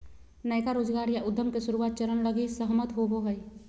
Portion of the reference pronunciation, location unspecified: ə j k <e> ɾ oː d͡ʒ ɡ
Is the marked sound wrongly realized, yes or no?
yes